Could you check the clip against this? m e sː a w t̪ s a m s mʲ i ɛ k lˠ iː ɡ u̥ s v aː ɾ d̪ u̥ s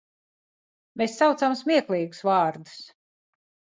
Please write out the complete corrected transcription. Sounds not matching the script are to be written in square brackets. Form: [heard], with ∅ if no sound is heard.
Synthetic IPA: m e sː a w t̪ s a m s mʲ i ɛ k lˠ iː ɡ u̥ s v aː ɾ d̪ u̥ s